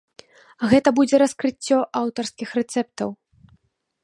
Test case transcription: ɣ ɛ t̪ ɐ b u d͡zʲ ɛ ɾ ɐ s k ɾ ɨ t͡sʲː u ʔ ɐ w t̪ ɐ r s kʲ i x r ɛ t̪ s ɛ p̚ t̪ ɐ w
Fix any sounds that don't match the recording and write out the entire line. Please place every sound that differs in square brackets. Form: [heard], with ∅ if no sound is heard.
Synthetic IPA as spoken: ɣ ɛ t̪ ɐ b u d͡zʲ ɛ ɾ ɐ s k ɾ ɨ t͡sʲː [ɔ] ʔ [a] w t̪ ɐ r s kʲ i x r ɛ t̪ s ɛ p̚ t̪ ɐ w